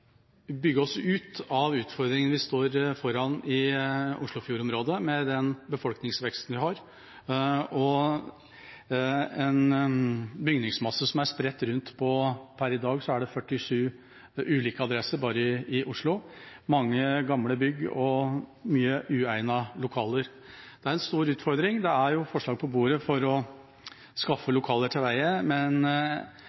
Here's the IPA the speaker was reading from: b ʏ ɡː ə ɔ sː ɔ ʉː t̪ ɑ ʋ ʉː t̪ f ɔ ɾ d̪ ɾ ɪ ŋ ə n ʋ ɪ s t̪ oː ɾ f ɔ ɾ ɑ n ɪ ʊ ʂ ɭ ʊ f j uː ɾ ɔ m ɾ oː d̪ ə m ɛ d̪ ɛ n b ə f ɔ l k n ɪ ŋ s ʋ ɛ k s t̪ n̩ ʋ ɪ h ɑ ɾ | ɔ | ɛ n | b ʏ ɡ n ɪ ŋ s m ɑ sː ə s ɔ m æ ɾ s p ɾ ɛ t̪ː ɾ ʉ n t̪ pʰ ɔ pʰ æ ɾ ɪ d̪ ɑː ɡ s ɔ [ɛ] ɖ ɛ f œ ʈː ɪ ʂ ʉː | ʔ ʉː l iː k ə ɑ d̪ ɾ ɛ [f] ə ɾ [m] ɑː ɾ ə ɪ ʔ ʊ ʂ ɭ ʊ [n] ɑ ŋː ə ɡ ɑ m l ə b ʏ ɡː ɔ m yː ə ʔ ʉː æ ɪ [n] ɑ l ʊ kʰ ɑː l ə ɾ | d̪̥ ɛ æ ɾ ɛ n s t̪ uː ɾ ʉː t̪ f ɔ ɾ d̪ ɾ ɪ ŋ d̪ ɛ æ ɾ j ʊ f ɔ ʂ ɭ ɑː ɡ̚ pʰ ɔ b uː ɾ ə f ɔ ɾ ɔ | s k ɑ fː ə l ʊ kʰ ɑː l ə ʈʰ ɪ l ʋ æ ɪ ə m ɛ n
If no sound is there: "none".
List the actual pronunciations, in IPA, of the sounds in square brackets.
æ, s, b, m, n

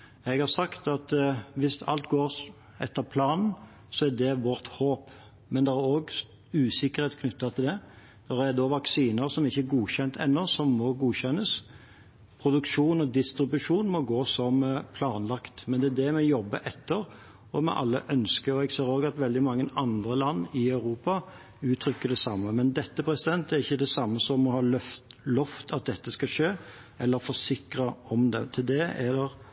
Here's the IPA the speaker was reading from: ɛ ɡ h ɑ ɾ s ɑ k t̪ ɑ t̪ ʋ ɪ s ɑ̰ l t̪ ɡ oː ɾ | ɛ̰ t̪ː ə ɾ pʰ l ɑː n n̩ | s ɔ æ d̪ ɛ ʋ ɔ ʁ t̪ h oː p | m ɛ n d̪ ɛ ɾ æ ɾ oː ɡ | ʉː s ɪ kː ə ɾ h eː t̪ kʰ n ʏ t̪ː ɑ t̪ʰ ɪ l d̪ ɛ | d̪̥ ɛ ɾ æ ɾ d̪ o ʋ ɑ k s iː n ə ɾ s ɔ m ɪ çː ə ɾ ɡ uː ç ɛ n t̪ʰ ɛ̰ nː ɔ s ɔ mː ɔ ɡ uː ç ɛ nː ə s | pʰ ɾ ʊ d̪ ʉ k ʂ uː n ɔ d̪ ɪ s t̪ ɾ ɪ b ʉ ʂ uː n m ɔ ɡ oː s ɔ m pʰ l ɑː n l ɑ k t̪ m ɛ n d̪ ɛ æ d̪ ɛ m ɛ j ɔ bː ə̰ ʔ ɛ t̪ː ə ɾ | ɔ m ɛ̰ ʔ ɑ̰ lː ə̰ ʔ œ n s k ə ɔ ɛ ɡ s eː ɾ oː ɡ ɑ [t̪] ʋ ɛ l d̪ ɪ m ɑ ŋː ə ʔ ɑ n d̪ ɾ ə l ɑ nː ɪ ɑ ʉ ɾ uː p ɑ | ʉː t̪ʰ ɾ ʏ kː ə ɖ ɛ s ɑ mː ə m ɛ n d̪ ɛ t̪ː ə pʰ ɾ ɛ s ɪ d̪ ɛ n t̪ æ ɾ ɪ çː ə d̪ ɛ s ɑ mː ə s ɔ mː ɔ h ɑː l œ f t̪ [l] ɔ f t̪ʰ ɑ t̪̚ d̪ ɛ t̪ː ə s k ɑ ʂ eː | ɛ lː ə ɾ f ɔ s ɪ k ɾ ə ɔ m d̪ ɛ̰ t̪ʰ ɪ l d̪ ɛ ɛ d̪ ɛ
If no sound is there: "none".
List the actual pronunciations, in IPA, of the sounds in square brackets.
t̪, l

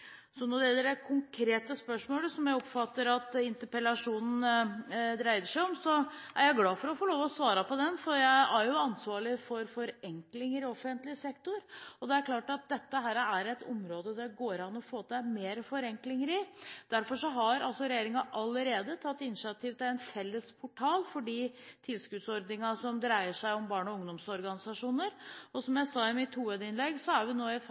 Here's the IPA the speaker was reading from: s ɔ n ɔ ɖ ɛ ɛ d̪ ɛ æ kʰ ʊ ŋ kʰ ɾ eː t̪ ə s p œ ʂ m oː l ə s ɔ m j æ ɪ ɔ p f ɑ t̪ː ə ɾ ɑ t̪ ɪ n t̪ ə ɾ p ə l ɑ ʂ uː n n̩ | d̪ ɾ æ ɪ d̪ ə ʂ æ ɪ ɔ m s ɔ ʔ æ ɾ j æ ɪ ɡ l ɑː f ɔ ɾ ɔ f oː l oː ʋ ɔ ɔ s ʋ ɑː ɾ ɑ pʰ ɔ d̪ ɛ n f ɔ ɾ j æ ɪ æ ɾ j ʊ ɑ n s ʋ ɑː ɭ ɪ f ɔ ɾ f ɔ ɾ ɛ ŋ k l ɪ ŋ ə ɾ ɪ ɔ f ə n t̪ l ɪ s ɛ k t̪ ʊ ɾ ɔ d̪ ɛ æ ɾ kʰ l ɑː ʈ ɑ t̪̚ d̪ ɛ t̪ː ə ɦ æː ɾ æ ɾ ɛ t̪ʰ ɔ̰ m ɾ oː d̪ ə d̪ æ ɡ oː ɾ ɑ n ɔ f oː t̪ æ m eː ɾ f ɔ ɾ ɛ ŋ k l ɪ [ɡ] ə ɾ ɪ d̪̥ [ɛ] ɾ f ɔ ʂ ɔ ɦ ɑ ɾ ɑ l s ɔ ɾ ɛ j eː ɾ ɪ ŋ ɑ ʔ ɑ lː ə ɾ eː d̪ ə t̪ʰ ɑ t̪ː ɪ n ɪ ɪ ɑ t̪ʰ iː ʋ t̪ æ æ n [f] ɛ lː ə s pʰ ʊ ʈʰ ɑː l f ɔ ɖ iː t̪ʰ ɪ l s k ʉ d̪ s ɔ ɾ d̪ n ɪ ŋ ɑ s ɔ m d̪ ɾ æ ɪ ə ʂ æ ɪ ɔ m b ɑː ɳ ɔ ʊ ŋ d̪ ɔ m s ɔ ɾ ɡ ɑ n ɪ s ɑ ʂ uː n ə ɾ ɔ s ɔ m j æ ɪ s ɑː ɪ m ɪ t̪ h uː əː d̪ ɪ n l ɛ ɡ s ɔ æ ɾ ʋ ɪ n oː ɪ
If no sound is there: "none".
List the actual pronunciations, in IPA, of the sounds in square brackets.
ŋ, æ, f

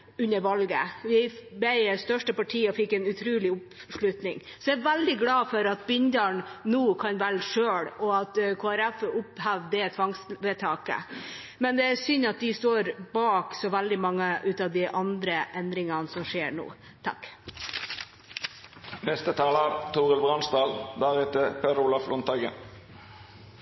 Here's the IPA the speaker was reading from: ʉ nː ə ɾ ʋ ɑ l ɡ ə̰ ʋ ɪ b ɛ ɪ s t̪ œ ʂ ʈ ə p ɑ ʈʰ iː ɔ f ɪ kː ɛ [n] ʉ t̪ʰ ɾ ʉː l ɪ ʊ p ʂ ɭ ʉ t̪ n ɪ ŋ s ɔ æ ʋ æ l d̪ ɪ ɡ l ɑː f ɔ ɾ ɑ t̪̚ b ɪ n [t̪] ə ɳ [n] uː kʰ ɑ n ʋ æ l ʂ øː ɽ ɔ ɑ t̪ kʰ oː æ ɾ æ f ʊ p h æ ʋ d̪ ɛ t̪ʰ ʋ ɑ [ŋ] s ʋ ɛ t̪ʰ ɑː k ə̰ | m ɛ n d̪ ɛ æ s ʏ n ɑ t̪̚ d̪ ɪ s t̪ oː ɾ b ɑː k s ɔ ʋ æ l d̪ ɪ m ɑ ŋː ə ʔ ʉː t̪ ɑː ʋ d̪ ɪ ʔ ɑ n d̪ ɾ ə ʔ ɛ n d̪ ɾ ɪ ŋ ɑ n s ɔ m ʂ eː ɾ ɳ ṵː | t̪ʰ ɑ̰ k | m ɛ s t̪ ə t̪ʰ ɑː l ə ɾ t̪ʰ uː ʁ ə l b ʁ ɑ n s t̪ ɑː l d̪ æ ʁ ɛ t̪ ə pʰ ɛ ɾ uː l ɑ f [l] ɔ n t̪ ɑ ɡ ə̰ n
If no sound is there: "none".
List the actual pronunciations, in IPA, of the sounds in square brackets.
n, d̪, n, ŋ, l

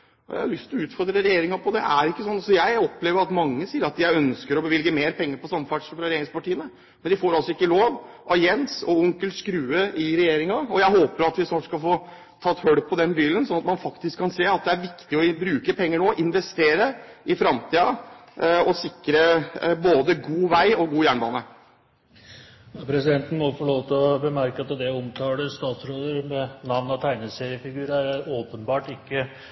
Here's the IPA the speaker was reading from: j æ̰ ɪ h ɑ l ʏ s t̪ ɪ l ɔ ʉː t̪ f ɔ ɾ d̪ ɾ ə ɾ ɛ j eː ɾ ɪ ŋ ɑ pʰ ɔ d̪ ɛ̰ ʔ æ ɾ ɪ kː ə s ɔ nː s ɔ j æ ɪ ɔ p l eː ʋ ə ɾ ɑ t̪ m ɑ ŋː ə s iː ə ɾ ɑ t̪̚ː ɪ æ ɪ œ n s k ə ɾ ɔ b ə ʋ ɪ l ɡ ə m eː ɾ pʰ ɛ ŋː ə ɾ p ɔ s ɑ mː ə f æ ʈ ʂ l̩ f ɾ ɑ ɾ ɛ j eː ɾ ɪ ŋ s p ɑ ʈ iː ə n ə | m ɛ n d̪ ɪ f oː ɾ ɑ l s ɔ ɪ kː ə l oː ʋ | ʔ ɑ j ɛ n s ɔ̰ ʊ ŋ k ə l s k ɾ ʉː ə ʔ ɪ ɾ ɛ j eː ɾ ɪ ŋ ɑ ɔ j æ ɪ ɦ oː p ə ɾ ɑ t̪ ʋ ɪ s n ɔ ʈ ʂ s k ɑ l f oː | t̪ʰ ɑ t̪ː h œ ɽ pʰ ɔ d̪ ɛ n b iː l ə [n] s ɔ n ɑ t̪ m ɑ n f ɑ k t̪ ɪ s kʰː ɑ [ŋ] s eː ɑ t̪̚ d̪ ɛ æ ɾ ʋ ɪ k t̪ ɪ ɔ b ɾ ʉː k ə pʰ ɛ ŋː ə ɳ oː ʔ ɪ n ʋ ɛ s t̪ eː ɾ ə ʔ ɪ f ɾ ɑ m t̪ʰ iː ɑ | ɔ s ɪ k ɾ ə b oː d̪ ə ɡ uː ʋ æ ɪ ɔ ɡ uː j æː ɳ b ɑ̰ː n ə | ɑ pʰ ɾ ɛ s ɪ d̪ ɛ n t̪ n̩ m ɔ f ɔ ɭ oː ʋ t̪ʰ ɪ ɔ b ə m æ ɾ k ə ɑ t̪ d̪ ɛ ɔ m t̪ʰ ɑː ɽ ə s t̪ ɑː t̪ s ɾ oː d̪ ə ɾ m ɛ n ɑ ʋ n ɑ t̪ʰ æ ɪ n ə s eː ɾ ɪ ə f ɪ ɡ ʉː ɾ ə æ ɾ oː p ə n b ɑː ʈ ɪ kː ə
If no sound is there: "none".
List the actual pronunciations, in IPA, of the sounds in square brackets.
n, n

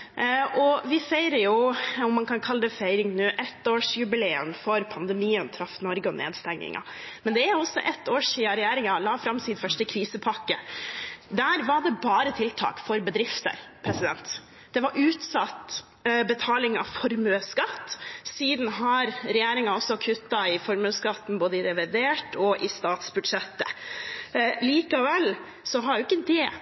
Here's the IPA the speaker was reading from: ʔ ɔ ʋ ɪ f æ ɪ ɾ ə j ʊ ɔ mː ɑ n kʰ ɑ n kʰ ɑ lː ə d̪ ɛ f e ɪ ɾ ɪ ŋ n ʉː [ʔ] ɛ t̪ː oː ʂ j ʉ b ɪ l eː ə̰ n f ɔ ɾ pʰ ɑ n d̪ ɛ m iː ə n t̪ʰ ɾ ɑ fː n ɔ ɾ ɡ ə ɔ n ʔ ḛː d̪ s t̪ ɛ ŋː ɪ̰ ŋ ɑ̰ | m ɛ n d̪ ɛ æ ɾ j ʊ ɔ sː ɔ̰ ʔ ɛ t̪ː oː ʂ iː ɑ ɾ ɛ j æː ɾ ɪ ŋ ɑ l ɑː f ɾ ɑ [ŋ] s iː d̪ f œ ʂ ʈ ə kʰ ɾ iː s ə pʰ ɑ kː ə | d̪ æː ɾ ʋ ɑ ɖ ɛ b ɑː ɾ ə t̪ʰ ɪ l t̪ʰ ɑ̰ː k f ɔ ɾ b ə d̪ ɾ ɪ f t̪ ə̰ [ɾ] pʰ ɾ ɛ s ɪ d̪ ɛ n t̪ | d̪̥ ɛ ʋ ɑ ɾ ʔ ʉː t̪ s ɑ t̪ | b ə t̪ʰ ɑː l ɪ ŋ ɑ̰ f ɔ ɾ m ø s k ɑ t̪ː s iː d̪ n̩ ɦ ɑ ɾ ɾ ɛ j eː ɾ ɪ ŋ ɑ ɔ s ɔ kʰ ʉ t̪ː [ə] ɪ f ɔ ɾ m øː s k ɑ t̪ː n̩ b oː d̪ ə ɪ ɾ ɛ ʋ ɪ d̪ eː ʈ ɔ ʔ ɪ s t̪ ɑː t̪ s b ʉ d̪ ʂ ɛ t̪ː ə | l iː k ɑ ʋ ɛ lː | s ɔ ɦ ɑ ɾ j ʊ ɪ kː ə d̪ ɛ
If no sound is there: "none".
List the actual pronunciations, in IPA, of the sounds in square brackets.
ʔ, m, ɾ, ɑ

